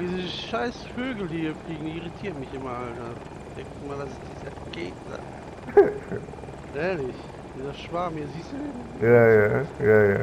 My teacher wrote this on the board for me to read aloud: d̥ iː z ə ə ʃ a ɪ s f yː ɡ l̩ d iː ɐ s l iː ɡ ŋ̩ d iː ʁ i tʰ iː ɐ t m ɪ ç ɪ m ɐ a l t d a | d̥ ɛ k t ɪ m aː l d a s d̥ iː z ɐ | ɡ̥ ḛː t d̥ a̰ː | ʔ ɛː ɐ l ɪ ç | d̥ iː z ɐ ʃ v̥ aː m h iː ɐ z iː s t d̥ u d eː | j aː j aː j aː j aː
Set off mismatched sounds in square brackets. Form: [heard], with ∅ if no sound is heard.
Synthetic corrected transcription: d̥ iː z ə ə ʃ a ɪ s f [øː] ɡ l̩ d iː ɐ [f] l iː ɡ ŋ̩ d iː ʁ i tʰ iː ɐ t m ɪ ç ɪ m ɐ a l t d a | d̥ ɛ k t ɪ m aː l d a s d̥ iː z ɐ | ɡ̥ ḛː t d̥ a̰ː | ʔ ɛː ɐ l ɪ ç | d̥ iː z ɐ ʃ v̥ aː m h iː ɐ z iː s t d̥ u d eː | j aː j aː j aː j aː

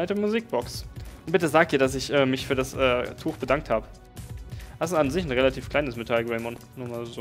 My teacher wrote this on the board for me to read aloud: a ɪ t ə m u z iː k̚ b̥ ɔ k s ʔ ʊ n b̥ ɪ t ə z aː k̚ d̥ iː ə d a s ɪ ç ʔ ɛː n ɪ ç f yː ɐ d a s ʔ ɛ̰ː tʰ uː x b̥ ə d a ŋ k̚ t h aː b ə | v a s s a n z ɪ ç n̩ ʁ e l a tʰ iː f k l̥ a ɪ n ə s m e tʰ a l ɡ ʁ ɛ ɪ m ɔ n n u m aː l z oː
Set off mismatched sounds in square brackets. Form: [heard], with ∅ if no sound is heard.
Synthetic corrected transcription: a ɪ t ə m u z iː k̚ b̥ ɔ k s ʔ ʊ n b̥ ɪ t ə z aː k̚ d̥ iː [ɐ] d a s ɪ ç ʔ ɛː [m] ɪ ç f yː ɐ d a s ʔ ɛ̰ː tʰ uː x b̥ ə d a ŋ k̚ t h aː b ə | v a s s a n z ɪ ç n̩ ʁ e l a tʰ iː f k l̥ a ɪ n ə s m e tʰ a l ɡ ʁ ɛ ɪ m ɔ n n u m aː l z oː

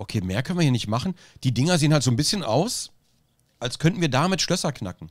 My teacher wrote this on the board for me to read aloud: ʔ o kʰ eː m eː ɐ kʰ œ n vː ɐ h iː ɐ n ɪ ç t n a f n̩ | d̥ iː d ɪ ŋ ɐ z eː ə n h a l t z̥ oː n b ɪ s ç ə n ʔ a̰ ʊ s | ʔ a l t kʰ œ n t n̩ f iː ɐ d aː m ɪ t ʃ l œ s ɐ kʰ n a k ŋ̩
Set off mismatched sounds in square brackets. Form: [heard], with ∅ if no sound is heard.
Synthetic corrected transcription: ʔ o kʰ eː m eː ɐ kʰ œ n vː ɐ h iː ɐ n ɪ ç t [m] a [χ] n̩ | d̥ iː d ɪ ŋ ɐ z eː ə n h a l t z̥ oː n b ɪ s ç ə n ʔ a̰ ʊ s | ʔ a l [s] kʰ œ n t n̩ [v] iː ɐ d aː m ɪ t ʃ l œ s ɐ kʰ n a k ŋ̩

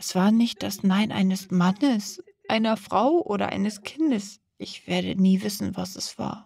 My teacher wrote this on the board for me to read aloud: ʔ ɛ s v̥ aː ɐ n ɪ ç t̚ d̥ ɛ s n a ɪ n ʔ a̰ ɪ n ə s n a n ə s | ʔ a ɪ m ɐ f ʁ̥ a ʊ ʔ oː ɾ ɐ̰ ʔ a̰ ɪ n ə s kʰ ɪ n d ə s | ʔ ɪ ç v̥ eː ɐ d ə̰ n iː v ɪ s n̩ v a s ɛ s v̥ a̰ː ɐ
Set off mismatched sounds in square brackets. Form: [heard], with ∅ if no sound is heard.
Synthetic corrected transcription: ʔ ɛ s v̥ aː ɐ n ɪ ç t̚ d̥ [a] s n a ɪ n ʔ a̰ ɪ n ə s [m] a n ə s | ʔ a ɪ [n] ɐ f ʁ̥ a ʊ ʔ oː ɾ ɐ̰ ʔ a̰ ɪ n ə s kʰ ɪ n d ə s | ʔ ɪ ç v̥ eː ɐ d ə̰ n iː v ɪ s n̩ v a s ɛ s v̥ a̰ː ɐ

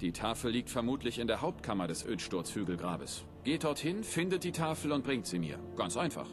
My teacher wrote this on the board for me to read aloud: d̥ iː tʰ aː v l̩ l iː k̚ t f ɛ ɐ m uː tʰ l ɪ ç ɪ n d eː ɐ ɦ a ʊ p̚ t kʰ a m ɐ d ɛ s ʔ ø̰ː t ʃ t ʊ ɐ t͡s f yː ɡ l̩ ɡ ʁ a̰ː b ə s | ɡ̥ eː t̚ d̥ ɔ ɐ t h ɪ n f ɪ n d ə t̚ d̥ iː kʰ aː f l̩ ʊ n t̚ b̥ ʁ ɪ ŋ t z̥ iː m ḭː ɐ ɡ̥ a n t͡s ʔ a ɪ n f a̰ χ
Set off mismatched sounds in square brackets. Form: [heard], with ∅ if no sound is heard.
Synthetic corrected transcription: d̥ iː tʰ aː [f] l̩ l iː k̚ t f ɛ ɐ m uː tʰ l ɪ ç ɪ n d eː ɐ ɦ a ʊ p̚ t kʰ a m ɐ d ɛ s ʔ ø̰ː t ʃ t ʊ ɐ t͡s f yː ɡ l̩ ɡ ʁ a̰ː b ə s | ɡ̥ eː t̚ d̥ ɔ ɐ t h ɪ n f ɪ n d ə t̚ d̥ iː [tʰ] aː f l̩ ʊ n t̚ b̥ ʁ ɪ ŋ t z̥ iː m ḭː ɐ ɡ̥ a n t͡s ʔ a ɪ n f a̰ χ

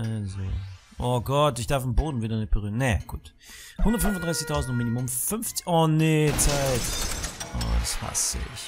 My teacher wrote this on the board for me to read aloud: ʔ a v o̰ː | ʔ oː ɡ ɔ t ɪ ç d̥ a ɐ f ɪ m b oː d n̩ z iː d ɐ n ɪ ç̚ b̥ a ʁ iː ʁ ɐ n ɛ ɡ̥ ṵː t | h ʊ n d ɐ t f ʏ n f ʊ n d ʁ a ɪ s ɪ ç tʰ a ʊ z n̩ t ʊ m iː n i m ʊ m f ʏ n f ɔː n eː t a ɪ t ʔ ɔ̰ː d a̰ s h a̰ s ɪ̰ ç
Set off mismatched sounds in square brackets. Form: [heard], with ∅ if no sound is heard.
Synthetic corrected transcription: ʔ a [z] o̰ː | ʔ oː ɡ ɔ t ɪ ç d̥ a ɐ f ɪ m b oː d n̩ [v] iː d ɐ n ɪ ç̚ b̥ [ə] ʁ [yː] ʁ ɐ n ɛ ɡ̥ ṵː t | h ʊ n d ɐ t f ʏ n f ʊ n d ʁ a ɪ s ɪ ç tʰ a ʊ z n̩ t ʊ m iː n i m ʊ m f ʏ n f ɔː n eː [t͡s] a ɪ t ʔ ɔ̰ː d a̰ s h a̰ s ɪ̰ ç

